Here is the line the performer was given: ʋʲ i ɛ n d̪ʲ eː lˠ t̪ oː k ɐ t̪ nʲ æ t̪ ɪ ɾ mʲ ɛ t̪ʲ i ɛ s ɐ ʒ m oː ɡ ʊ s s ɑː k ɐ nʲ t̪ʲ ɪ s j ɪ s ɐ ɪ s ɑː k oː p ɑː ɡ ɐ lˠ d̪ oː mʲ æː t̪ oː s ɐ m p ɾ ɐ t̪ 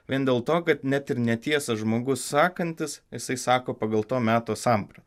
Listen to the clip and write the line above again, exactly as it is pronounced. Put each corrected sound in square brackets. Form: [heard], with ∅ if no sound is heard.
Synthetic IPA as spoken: ʋʲ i ɛ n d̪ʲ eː lˠ t̪ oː k ɐ t̪ nʲ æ t̪ ɪ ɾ [nʲ] ɛ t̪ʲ i ɛ s ɐ ʒ m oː ɡ ʊ s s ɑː k ɐ nʲ t̪ʲ ɪ s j ɪ s ɐ ɪ s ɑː k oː p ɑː ɡ ɐ lˠ [t̪] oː mʲ æː t̪ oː s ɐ m p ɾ ɐ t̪

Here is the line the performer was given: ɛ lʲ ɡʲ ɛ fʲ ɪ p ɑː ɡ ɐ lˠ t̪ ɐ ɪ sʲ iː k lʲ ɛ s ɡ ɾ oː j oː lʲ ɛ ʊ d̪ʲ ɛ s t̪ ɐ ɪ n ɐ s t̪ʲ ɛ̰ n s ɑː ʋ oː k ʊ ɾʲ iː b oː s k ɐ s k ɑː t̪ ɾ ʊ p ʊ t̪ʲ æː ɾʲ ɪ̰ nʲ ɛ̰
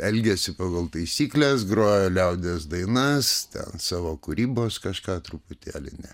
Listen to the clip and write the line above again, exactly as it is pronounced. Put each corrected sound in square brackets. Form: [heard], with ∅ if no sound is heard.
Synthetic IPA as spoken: ɛ lʲ ɡʲ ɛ [sʲ] ɪ p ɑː ɡ ɐ lˠ t̪ ɐ ɪ sʲ iː k lʲ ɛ s ɡ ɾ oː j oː lʲ ɛ ʊ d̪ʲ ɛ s [d̪] ɐ ɪ n ɐ s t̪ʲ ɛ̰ n s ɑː ʋ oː k ʊ ɾʲ iː b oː s k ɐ [ʃ] k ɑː t̪ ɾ ʊ p ʊ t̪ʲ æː [lʲ] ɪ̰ nʲ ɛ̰

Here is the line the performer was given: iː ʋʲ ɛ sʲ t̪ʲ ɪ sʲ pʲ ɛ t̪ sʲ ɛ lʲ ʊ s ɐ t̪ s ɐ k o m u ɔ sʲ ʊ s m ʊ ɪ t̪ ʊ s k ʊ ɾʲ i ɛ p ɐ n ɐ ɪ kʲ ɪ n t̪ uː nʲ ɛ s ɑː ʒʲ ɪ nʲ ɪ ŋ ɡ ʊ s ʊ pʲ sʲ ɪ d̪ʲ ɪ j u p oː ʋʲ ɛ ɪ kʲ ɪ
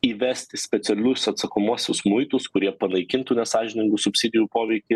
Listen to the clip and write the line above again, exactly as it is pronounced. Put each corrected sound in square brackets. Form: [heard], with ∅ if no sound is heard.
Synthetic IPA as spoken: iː ʋʲ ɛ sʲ t̪ʲ ɪ sʲ pʲ ɛ t̪ sʲ ɛ lʲ ʊ s ɐ t̪ s ɐ k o m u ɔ sʲ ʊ s m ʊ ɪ t̪ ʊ s k ʊ ɾʲ i ɛ p ɐ n ɐ ɪ kʲ ɪ n t̪ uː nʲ ɛ s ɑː ʒʲ ɪ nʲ ɪ ŋ ɡ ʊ s ʊ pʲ sʲ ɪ d̪ʲ ɪ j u p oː ʋʲ ɛ ɪ kʲ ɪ

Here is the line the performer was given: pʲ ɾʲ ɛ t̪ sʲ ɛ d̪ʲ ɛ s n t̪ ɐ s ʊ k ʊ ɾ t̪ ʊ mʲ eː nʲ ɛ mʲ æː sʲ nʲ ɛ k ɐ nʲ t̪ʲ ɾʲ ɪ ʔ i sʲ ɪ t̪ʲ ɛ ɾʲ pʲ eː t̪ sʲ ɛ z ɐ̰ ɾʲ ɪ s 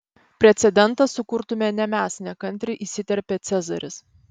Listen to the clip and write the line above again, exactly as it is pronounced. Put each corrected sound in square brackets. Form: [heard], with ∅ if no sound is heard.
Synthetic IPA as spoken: pʲ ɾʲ ɛ t̪ sʲ ɛ d̪ʲ ɛ [∅] n t̪ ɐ s ʊ k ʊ ɾ t̪ ʊ mʲ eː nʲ ɛ mʲ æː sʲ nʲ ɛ k ɐ nʲ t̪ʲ ɾʲ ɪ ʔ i sʲ ɪ t̪ʲ ɛ ɾʲ pʲ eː t̪ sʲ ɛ z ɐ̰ ɾʲ ɪ s

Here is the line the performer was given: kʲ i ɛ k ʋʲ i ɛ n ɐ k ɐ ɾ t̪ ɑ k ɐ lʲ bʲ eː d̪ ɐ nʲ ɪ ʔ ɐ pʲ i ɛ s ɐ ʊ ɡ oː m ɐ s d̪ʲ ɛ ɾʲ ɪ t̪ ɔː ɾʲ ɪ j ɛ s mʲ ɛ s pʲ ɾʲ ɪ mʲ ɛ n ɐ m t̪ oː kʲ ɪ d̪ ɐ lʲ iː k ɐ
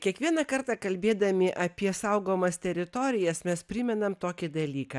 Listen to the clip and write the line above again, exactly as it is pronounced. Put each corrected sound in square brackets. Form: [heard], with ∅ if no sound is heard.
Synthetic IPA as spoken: kʲ i ɛ k ʋʲ i ɛ n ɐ k ɐ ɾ t̪ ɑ k ɐ lʲ bʲ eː d̪ ɐ [mʲ] ɪ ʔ ɐ pʲ i ɛ s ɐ ʊ ɡ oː m ɐ s [t̪ʲ] ɛ ɾʲ ɪ t̪ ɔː ɾʲ ɪ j ɛ s mʲ ɛ s pʲ ɾʲ ɪ mʲ ɛ n ɐ m t̪ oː kʲ ɪ d̪ ɐ lʲ iː k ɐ

